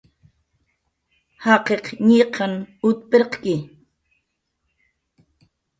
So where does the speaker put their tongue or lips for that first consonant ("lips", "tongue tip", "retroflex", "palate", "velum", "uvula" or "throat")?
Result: throat